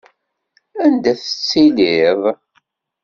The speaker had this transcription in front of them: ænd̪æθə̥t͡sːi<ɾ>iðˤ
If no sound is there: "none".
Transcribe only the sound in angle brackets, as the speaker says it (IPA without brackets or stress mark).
l